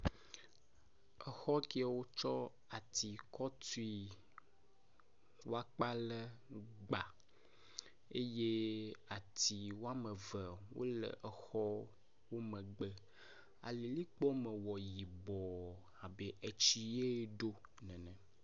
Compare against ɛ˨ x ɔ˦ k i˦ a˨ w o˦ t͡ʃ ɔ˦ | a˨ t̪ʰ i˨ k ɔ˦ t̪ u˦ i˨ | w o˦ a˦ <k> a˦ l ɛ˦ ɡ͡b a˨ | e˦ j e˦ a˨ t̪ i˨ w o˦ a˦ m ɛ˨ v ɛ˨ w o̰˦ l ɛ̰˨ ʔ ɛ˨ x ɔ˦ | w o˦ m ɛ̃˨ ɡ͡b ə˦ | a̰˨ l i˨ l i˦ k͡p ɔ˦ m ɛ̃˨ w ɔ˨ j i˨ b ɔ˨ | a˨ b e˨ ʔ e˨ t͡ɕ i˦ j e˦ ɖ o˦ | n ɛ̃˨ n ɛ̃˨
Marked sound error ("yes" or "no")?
yes